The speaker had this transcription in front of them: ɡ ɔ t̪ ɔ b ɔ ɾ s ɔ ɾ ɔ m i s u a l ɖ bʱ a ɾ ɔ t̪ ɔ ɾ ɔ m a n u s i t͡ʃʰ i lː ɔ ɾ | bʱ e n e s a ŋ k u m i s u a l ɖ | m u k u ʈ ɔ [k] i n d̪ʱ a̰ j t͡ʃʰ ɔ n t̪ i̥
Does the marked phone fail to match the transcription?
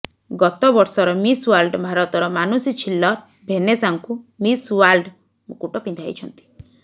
yes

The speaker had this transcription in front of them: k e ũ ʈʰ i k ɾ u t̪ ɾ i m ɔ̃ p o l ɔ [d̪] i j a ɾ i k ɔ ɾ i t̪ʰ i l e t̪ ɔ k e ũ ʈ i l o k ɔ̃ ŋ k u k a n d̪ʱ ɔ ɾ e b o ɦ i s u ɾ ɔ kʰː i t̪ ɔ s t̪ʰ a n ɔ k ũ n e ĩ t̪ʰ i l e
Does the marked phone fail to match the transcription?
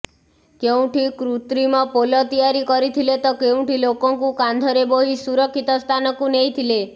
yes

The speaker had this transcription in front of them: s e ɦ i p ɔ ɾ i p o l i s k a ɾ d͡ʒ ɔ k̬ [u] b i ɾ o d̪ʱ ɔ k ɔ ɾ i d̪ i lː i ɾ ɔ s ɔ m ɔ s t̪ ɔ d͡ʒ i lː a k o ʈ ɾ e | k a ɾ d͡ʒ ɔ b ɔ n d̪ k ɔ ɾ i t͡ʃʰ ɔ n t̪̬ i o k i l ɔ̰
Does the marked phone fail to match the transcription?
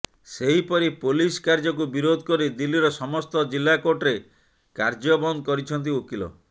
no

